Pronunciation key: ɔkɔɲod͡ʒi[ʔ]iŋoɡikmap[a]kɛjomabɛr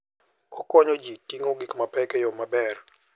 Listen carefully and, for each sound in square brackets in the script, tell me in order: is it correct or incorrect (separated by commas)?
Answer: incorrect, incorrect